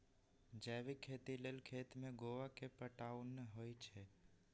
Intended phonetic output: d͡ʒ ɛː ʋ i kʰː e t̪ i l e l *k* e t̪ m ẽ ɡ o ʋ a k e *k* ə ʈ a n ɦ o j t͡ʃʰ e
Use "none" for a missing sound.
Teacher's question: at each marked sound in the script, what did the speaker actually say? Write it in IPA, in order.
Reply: kʰ, p

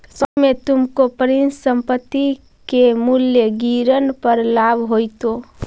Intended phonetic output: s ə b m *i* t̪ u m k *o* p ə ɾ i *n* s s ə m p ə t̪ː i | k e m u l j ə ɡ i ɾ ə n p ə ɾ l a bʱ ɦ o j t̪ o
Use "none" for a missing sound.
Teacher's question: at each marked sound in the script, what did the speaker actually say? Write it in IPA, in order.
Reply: e, o, n

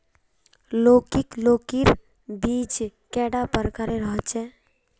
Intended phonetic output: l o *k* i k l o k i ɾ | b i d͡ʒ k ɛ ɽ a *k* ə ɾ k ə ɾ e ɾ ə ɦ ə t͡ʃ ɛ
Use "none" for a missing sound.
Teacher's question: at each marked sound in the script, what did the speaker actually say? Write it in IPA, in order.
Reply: k, p

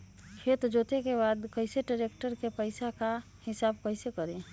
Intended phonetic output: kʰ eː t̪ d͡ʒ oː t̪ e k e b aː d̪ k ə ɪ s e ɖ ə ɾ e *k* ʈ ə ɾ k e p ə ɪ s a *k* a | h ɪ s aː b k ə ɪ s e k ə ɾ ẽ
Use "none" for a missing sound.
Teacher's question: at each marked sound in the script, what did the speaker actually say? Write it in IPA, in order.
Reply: k, k

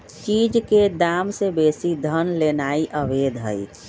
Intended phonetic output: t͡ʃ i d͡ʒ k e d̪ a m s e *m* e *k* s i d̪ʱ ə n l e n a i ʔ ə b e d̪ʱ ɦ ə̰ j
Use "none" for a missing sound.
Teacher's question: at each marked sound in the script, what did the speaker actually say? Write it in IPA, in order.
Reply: b, none

